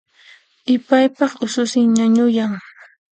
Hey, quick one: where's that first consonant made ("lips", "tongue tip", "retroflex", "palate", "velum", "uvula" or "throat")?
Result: lips